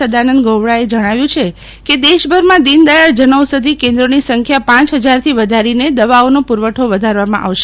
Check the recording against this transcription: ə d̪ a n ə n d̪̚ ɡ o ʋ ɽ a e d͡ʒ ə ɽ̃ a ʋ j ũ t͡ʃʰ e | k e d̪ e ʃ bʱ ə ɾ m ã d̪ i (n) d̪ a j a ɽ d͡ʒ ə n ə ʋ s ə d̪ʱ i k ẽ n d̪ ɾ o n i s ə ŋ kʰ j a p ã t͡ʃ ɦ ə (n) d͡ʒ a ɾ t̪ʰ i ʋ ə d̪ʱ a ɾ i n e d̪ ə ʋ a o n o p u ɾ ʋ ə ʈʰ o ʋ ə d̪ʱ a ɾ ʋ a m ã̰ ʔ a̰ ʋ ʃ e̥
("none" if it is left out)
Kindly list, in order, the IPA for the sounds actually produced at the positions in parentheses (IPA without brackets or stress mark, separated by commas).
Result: n, none